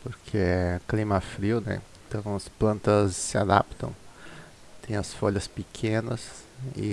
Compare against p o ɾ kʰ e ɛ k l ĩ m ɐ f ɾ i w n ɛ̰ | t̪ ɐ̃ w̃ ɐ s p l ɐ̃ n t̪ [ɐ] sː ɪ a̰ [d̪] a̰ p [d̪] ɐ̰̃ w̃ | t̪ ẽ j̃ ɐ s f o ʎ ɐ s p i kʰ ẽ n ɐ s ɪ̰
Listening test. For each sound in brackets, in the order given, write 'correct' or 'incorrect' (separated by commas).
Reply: correct, correct, incorrect